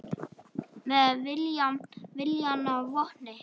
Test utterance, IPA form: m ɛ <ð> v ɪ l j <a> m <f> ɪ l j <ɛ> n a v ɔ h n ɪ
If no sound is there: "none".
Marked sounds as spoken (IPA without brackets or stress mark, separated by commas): ð, a, v, a